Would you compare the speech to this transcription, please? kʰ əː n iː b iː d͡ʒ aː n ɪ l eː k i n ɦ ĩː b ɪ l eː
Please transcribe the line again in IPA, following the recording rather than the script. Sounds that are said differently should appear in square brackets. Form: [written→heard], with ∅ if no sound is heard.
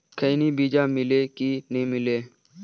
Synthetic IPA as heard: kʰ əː n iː b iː d͡ʒ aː [n→m] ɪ l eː k i n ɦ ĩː [b→m] ɪ l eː